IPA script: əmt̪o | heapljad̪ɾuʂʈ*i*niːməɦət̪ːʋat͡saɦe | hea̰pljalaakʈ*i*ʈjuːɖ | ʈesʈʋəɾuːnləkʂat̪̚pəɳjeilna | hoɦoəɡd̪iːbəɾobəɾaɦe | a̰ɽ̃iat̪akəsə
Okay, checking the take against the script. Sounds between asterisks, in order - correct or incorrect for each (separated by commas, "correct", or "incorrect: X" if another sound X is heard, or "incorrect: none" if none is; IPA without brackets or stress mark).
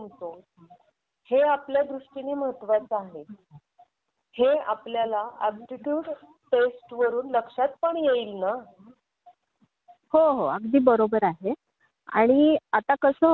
correct, correct